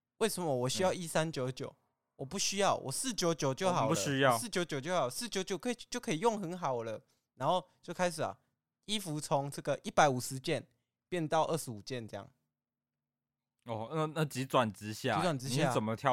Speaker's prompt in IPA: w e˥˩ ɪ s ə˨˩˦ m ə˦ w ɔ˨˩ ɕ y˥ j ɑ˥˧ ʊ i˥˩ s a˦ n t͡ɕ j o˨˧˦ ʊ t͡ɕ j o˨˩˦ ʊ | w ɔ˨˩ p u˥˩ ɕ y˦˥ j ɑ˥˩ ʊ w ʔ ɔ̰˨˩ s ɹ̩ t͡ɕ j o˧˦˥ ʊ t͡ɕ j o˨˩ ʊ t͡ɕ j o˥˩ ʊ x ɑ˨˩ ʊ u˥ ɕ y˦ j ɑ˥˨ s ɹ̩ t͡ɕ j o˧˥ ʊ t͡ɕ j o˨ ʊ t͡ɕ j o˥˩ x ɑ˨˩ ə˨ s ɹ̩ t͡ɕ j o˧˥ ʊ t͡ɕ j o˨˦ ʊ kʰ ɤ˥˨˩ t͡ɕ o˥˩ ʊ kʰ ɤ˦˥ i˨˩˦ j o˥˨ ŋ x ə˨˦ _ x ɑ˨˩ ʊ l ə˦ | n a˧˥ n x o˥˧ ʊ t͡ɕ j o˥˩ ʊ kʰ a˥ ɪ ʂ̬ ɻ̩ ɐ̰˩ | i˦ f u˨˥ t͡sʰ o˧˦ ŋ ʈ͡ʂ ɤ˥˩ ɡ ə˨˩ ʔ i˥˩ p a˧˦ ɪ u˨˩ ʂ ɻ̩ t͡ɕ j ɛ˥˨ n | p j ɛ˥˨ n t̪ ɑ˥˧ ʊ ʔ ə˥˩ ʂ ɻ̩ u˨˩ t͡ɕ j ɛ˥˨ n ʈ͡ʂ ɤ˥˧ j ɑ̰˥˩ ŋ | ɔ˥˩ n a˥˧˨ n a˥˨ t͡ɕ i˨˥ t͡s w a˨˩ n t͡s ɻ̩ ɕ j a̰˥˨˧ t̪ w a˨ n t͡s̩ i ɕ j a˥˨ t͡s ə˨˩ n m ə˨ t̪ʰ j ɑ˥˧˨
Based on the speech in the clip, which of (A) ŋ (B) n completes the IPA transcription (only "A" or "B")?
B